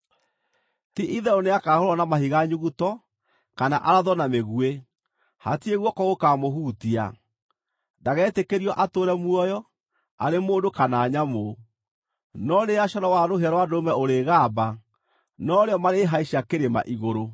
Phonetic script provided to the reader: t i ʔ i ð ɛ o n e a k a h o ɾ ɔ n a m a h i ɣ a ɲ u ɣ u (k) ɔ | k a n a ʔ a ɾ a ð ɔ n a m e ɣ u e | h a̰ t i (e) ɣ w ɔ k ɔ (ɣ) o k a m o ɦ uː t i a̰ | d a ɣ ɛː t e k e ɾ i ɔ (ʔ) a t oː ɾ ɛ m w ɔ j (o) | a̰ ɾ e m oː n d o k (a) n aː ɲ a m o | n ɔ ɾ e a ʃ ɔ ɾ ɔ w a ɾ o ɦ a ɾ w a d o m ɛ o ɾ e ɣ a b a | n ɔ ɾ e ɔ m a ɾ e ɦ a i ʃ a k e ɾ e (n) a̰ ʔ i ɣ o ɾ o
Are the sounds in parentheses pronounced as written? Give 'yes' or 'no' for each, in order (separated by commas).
no, yes, yes, yes, no, yes, no